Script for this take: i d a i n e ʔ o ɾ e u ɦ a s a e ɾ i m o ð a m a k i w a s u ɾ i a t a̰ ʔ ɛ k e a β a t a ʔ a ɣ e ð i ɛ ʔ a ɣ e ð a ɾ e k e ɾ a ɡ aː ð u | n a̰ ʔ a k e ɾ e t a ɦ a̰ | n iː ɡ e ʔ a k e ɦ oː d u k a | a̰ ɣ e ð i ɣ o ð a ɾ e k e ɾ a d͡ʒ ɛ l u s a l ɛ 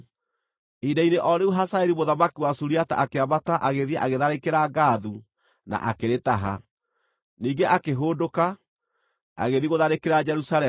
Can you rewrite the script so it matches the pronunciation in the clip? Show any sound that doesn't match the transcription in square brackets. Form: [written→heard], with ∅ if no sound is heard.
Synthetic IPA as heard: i d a i n e ʔ [o→ɔ] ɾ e u ɦ a s a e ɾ i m o ð a m a k i w a s u ɾ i a t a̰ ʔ [ɛ→a] k e a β a t a ʔ a ɣ e ð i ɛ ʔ a ɣ e ð a ɾ e k e ɾ a ɡ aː ð u | n a̰ ʔ a k e ɾ e t a ɦ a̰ | n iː ɡ e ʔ a k e ɦ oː d [u→o] k a | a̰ ɣ e ð i ɣ o ð a ɾ e k e ɾ a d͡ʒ ɛ [l→ɾ] u s a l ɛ